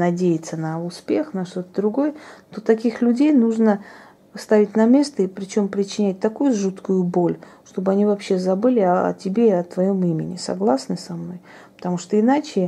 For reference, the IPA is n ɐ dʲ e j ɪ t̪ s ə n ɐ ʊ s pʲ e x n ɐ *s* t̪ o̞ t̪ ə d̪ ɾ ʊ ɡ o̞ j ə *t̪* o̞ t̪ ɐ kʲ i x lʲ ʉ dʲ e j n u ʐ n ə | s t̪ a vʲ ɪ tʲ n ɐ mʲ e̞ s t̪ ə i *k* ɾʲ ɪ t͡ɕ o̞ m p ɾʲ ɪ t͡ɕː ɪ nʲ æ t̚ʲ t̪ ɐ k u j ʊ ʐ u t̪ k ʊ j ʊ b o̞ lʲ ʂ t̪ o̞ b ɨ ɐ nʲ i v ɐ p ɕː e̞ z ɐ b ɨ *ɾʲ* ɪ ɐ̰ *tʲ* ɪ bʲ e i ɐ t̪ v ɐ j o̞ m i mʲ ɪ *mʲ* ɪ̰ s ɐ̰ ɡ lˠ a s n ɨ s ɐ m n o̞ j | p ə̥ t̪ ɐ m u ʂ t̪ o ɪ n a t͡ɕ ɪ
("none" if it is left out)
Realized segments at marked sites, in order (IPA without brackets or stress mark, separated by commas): ʂ, t̪, p, lʲ, tʲ, nʲ